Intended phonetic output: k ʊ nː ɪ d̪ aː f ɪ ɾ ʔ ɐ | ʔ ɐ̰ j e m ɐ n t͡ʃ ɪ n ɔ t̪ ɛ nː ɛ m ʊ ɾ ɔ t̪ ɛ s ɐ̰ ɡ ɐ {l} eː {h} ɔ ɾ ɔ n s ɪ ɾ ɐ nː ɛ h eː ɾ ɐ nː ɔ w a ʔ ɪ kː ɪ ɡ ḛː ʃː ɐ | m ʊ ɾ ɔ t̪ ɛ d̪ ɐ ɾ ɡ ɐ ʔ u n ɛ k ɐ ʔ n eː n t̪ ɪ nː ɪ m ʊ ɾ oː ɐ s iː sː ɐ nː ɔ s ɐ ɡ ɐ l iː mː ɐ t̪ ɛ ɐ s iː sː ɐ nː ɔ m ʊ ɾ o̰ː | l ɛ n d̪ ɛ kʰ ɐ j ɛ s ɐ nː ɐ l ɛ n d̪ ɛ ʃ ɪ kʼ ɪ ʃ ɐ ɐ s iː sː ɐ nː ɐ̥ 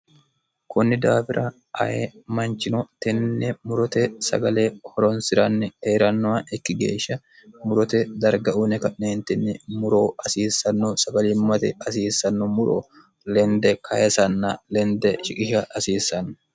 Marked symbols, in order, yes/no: yes, yes

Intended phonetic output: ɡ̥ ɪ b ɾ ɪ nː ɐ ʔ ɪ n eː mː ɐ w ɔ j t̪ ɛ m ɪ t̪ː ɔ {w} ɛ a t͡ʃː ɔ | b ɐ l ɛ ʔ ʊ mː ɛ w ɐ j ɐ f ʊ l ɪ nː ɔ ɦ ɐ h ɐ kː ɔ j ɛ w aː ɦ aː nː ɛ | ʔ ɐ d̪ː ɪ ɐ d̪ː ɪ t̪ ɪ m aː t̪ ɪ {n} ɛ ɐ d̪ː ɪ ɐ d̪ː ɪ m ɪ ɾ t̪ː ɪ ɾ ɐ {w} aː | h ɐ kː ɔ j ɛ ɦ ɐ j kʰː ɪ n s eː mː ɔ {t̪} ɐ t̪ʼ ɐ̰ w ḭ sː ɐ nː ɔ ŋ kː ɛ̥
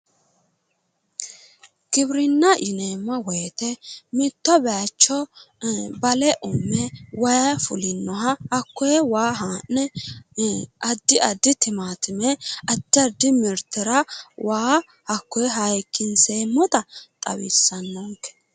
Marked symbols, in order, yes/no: no, no, yes, yes

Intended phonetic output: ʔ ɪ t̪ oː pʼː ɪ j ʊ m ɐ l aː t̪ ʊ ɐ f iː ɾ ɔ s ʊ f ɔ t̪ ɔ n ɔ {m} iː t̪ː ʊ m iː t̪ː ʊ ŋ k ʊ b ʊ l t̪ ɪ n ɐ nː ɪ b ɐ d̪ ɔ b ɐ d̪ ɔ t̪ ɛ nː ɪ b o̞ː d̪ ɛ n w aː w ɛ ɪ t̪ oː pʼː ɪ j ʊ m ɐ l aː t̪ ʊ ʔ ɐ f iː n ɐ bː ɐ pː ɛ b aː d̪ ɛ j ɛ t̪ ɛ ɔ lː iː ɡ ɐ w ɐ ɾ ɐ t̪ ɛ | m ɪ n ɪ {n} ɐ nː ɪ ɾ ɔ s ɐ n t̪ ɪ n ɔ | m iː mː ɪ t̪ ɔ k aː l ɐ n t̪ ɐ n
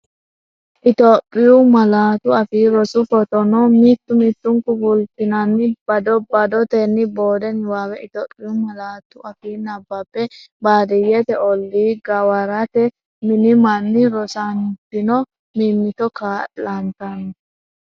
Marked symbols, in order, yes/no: yes, no

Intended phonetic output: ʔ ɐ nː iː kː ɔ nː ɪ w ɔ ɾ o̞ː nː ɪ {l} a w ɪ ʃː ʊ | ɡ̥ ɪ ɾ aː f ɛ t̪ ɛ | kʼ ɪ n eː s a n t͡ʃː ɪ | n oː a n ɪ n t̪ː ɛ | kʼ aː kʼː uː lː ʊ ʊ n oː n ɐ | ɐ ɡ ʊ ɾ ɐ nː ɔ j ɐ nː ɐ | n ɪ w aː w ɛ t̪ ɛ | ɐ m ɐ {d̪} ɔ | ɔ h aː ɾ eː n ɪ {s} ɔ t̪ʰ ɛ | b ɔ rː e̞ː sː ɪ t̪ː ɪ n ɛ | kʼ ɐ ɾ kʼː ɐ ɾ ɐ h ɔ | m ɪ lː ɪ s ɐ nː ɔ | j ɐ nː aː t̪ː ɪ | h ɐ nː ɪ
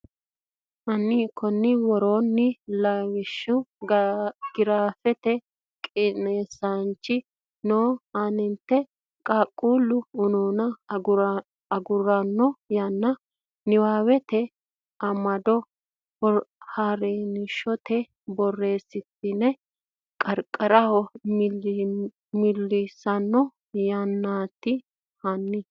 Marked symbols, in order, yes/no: yes, yes, no

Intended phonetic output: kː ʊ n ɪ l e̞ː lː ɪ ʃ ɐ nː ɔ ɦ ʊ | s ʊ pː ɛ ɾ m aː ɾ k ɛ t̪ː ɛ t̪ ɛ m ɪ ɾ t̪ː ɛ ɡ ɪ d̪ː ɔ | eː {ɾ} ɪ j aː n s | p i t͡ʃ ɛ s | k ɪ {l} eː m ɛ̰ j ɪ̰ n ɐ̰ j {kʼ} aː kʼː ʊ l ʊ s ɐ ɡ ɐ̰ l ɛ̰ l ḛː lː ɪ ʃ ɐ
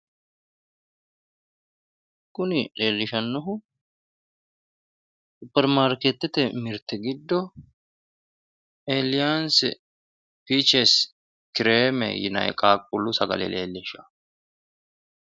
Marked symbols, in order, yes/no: no, no, yes

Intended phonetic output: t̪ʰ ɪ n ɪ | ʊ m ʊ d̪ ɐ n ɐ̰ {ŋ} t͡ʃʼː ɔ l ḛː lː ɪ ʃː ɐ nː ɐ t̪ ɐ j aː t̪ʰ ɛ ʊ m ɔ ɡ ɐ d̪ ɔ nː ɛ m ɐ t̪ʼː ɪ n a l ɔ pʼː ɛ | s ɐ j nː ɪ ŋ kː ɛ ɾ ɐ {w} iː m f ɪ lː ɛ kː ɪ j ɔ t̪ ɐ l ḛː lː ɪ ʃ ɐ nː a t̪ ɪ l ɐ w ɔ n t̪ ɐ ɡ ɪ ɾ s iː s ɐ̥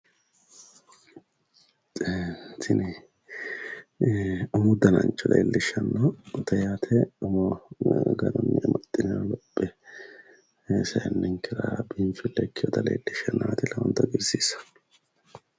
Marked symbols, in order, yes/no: no, no

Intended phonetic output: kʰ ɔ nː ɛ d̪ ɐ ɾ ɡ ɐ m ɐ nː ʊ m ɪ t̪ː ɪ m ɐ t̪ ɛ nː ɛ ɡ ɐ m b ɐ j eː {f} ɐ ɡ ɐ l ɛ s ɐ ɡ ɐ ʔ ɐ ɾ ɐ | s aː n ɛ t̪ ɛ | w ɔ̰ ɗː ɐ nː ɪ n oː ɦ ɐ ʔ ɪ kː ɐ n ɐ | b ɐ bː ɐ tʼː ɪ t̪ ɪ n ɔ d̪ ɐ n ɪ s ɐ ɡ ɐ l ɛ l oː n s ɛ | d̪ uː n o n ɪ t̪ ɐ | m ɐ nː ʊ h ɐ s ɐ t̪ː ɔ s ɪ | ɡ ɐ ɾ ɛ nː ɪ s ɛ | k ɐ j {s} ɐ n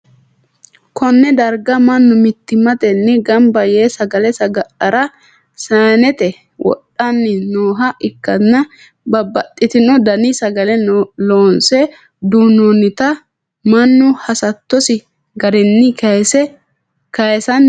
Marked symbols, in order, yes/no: no, yes

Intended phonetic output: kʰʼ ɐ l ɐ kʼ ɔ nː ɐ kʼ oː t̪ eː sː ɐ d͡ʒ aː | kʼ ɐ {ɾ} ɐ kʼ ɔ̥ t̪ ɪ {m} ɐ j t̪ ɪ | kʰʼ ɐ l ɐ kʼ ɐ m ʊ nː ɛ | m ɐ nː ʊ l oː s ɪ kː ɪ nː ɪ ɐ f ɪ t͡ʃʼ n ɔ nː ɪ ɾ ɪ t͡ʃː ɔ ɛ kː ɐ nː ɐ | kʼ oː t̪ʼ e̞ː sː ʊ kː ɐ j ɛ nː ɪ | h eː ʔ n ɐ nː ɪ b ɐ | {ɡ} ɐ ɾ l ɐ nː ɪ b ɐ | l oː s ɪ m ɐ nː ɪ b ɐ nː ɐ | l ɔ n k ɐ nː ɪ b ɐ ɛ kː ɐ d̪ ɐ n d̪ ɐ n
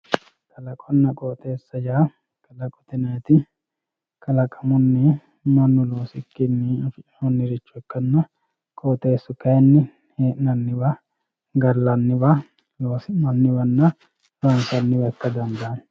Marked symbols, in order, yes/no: no, no, yes

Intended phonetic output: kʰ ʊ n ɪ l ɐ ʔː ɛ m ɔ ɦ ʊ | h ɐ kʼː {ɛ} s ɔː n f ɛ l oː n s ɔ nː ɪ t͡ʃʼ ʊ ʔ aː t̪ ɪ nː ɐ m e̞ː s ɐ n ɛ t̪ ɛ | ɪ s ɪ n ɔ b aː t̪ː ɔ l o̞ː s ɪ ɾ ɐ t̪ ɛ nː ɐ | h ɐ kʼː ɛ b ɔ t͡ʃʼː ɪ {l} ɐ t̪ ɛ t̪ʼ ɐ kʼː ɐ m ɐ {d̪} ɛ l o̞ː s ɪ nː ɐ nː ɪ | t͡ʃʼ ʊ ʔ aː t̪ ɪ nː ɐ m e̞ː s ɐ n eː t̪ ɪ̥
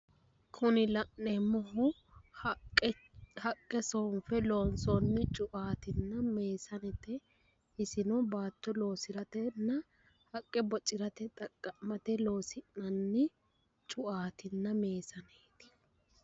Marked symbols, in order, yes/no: yes, no, no

